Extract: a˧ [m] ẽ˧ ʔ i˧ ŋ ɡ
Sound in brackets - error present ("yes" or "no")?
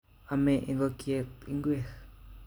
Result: no